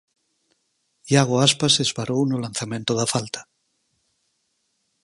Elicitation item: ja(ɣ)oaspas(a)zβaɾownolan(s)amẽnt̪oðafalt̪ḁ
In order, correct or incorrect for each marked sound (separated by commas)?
correct, incorrect, incorrect